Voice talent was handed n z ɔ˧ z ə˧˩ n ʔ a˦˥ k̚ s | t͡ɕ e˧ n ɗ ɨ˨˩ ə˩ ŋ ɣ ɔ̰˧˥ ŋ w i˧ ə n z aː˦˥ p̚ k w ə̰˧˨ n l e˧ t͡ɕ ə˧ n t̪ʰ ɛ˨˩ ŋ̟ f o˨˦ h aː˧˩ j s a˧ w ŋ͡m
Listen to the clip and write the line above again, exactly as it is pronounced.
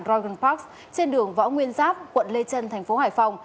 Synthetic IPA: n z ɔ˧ ɣ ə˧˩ n p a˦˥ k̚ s | t͡ɕ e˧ n ɗ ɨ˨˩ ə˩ ŋ v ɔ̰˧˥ ŋ w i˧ ə n z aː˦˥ p̚ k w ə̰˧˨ n l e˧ t͡ɕ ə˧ n t̪ʰ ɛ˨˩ ŋ̟ f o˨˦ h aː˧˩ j f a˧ w ŋ͡m